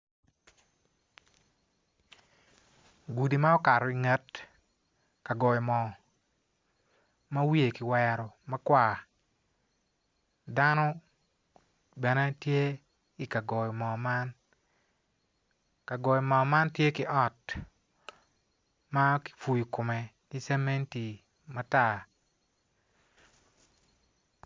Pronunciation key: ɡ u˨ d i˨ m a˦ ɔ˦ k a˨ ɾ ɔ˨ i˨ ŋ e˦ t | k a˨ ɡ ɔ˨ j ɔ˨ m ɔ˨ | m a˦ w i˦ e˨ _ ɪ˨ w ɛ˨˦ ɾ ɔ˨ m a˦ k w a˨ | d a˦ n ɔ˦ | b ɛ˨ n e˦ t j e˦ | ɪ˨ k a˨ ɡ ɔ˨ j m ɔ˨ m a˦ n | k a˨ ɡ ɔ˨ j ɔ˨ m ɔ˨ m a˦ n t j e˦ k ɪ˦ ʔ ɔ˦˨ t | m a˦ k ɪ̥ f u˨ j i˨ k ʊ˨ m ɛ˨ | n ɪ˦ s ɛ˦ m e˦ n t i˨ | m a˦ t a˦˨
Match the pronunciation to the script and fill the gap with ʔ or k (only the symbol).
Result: k